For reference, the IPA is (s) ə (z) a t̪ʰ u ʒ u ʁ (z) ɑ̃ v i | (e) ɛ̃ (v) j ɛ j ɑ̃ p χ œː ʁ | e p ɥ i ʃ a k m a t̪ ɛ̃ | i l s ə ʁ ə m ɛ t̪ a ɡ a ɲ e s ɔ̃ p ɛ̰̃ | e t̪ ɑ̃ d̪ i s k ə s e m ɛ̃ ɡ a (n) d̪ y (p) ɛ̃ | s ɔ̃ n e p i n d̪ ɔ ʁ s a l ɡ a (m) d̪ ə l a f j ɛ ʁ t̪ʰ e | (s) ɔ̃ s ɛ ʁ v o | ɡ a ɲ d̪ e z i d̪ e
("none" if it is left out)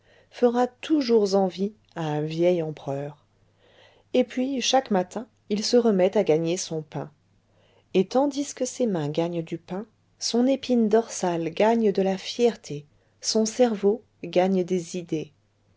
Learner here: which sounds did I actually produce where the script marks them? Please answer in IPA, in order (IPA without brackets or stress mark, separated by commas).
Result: f, ʁ, z, a, v, ɲ, p, ɲ, s